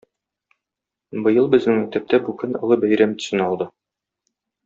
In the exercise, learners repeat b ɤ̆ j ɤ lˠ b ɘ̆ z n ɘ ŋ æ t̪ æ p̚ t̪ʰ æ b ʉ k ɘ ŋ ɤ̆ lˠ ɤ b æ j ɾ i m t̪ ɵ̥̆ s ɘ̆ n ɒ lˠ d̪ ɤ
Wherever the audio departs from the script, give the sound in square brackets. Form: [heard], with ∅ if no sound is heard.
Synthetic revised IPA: b ɤ̆ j ɤ lˠ b ɘ̆ z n ɘ ŋ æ t̪ æ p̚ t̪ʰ æ b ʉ k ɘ [n] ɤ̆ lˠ ɤ b æ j ɾ [æ] m t̪ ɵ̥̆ s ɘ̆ n ɒ lˠ d̪ ɤ